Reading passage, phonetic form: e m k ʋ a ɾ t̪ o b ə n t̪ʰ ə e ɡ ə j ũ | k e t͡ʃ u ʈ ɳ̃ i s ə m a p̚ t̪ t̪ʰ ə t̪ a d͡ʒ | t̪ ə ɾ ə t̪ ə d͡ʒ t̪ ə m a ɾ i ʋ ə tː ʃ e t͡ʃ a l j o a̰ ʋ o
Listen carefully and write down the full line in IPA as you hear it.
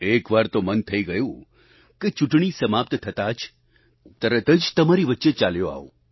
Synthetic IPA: e k ʋ a ɾ t̪ o m ə n t̪ʰ ə i ɡ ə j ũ | k e t͡ʃ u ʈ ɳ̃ i s ə m a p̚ t̪ t̪ʰ ə t̪ a d͡ʒ | t̪ ə ɾ ə t̪ ə d͡ʒ t̪ ə m a ɾ i ʋ ə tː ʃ e t͡ʃ a l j o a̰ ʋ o